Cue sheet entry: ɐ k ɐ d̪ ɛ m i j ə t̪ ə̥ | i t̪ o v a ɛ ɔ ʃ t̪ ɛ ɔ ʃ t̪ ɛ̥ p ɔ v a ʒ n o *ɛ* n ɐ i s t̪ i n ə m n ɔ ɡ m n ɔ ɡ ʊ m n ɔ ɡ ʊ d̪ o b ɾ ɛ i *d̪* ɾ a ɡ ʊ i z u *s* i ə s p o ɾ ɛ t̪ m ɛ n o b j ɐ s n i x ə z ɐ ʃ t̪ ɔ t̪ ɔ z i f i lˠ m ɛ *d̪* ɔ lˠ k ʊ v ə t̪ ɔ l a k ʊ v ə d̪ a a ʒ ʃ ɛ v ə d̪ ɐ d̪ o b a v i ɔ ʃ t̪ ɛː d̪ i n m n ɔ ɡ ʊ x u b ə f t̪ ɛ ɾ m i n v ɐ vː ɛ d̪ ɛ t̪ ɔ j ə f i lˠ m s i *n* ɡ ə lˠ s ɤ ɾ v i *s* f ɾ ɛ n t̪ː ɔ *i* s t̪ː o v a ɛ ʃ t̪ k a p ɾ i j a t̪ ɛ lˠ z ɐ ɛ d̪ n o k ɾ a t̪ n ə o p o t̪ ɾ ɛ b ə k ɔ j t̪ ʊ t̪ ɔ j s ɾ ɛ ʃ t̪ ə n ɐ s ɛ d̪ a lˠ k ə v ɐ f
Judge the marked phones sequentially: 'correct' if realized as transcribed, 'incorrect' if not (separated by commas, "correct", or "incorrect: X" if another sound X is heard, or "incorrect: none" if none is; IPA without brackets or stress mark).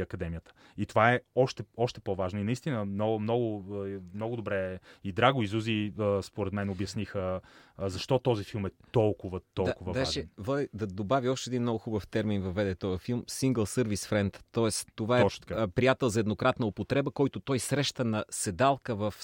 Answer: incorrect: i, correct, incorrect: z, incorrect: t̪, incorrect: ŋ, correct, incorrect: ɛ